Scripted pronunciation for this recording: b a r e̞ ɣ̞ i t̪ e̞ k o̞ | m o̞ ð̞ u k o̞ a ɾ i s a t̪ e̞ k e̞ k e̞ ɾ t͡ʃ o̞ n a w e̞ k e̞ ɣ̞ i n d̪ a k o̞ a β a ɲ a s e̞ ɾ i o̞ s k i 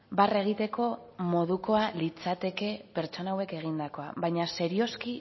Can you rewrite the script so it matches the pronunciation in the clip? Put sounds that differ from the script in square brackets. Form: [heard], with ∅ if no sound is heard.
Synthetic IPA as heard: b a r e̞ ɣ̞ i t̪ e̞ k o̞ | m o̞ ð̞ u k o̞ a [l] i [t͡s] a t̪ e̞ k e̞ [p] e̞ ɾ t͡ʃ o̞ n a w e̞ k e̞ ɣ̞ i n d̪ a k o̞ a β a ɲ a s e̞ ɾ i o̞ s k i

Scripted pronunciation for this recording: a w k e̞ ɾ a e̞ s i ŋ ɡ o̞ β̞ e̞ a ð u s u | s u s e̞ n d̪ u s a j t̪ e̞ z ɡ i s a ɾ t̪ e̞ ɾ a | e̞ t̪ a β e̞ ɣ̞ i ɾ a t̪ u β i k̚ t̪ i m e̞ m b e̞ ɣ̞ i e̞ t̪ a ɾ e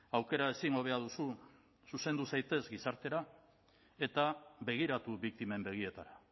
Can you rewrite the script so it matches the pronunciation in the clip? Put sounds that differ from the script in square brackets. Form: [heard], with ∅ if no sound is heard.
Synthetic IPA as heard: a w k e̞ ɾ a e̞ s i ŋ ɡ o̞ β̞ e̞ a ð u s u | s u s e̞ n d̪ u s a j t̪ e̞ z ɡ i s a ɾ t̪ e̞ ɾ a | e̞ t̪ a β e̞ ɣ̞ i ɾ a t̪ u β i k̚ t̪ i m e̞ m b e̞ ɣ̞ i e̞ t̪ a ɾ [a]

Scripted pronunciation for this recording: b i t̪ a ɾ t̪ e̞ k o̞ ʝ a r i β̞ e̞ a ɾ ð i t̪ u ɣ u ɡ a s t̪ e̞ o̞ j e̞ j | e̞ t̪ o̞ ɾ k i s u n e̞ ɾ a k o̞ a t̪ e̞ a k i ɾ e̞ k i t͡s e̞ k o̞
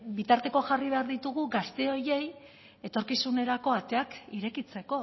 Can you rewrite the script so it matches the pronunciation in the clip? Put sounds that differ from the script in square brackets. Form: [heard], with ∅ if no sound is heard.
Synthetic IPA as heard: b i t̪ a ɾ t̪ e̞ k o̞ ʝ a r i β̞ e̞ a ɾ ð i t̪ u ɣ u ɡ a s t̪ e̞ o̞ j e̞ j | e̞ t̪ o̞ ɾ k i s u n e̞ ɾ a k o̞ a t̪ e̞ a k i ɾ e̞ k i t͡s e̞ k o̞

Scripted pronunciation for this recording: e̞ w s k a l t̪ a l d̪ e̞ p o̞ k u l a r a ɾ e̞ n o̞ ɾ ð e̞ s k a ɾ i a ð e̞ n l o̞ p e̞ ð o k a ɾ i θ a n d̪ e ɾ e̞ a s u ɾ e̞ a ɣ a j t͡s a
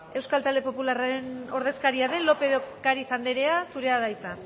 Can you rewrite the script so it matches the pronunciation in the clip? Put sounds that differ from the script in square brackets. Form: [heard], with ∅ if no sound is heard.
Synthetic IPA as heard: e̞ w s k a l t̪ a l d̪ e̞ p o̞ [p] u l a r a ɾ e̞ n o̞ ɾ ð e̞ s k a ɾ i a ð e̞ n l o̞ p e̞ ð o k a ɾ i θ a n d̪ e ɾ e̞ a s u ɾ e̞ a [ð] a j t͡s a

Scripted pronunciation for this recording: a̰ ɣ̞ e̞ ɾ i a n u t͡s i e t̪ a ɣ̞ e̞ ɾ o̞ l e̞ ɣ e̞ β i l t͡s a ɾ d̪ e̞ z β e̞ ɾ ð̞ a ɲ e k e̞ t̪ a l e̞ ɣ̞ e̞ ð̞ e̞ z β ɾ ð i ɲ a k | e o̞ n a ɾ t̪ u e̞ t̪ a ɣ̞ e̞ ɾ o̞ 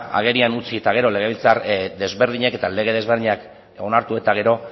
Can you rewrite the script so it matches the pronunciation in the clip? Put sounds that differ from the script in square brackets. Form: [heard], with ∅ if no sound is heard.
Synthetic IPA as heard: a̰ ɣ̞ e̞ ɾ i a n u t͡s i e t̪ a ɣ̞ e̞ ɾ o̞ l e̞ ɣ e̞ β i l t͡s a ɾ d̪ e̞ z β e̞ ɾ ð̞ [i] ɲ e k e̞ t̪ a l e̞ ɣ̞ e̞ ð̞ e̞ z β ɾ ð i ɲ a k | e o̞ n a ɾ t̪ u e̞ t̪ a ɣ̞ e̞ ɾ o̞

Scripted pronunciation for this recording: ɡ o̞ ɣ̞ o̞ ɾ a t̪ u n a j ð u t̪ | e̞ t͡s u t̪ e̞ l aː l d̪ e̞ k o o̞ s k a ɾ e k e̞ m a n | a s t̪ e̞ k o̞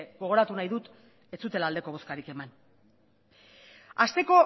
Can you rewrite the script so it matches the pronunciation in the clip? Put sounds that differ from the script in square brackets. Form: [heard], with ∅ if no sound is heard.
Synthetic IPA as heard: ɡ o̞ ɣ̞ o̞ ɾ a t̪ u n a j ð u t̪ | e̞ t͡s u t̪ e̞ l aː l d̪ e̞ k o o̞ s k a ɾ [i] k e̞ m a n | a s t̪ e̞ k o̞

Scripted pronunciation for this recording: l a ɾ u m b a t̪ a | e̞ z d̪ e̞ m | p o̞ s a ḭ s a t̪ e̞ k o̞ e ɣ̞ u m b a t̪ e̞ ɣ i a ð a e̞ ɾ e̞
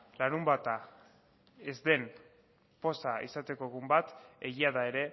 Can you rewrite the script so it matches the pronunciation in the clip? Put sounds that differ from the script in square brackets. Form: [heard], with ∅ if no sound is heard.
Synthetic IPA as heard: l a ɾ u m b a t̪ a | e̞ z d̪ e̞ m | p o̞ s a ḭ s a t̪ e̞ k o̞ e ɣ̞ u m b a t̪ e̞ ɣ i a ð a e̞ ɾ e̞

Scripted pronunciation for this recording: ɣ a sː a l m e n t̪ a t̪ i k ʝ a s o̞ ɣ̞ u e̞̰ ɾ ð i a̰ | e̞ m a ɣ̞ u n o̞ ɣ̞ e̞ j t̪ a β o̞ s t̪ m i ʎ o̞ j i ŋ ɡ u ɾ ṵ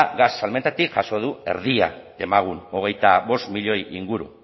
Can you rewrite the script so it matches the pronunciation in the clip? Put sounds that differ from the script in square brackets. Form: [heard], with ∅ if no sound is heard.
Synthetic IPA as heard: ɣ a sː a l m e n t̪ a t̪ i k ʝ a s o̞ [ð̞] u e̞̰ ɾ ð i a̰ | e̞ m a ɣ̞ u n o̞ ɣ̞ e̞ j t̪ a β o̞ s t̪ m i ʎ o̞ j i ŋ ɡ u ɾ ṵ

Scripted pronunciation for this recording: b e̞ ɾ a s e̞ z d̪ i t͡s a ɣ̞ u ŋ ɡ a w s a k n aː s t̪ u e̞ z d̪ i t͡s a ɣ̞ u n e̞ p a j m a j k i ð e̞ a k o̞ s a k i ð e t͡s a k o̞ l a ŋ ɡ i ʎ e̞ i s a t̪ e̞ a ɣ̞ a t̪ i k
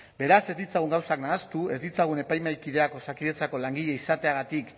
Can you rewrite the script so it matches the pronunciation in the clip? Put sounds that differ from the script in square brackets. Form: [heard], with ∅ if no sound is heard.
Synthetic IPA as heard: b e̞ ɾ a s e̞ z d̪ i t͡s a ɣ̞ u ŋ ɡ a w s a k n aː s t̪ u e̞ z d̪ i t͡s a ɣ̞ u n e̞ p a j m a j k i ð e̞ a k o̞ s a k i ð e t͡s a k o̞ l a ŋ ɡ i ʎ e̞ i s a t̪ e̞ a ɣ̞ a t̪ i k

